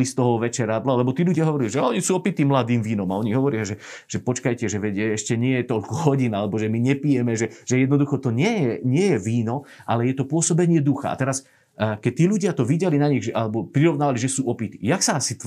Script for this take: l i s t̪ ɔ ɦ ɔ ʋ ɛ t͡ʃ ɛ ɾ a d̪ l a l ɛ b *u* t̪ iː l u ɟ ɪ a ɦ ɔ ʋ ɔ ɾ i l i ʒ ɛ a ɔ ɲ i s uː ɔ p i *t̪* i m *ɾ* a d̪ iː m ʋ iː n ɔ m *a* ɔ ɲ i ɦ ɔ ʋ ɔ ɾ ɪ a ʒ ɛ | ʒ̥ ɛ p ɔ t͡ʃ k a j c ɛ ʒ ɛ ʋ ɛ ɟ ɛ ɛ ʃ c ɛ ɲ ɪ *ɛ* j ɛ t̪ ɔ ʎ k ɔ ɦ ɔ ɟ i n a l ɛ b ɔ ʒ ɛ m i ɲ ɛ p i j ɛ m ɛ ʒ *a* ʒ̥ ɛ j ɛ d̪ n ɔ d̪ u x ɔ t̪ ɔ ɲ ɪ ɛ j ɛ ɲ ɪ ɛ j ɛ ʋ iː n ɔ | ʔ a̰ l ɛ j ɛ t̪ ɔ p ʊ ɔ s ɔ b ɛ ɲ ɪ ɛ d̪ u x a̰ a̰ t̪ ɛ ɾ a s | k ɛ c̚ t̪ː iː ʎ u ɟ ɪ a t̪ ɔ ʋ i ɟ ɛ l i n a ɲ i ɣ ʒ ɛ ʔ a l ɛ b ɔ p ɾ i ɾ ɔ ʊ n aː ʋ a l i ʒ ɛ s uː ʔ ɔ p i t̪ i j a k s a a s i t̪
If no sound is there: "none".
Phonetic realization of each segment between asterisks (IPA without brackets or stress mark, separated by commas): ɔ, t̪, l, a, ɛ, ɛ